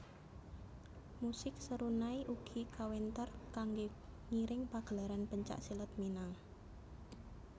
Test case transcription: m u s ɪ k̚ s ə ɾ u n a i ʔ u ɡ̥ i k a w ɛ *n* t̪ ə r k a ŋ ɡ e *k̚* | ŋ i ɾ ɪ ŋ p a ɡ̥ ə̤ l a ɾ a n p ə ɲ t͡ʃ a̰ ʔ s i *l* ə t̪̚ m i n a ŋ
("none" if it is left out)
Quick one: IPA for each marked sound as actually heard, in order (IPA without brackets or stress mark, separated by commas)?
n, none, l